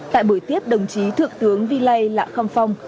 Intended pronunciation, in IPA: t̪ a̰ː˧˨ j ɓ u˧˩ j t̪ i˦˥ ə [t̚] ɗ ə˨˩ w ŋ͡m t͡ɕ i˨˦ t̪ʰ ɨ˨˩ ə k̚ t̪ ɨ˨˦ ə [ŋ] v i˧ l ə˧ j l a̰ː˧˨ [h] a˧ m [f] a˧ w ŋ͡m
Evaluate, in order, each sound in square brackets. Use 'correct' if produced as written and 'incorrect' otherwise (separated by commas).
incorrect, correct, incorrect, correct